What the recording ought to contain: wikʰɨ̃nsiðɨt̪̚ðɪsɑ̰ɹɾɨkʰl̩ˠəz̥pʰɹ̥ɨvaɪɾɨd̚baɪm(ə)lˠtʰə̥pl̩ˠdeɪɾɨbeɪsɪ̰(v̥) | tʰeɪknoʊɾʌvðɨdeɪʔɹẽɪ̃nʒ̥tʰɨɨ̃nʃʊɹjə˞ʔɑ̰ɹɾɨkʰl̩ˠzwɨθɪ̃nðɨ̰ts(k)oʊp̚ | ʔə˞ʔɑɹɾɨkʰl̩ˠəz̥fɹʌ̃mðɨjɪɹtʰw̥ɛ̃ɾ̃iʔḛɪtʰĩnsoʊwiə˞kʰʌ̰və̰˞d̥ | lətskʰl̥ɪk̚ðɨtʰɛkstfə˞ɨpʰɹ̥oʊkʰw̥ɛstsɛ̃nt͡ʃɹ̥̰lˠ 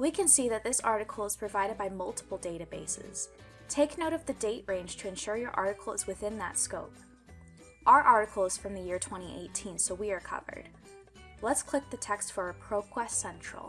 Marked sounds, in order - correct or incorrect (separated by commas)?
incorrect, incorrect, correct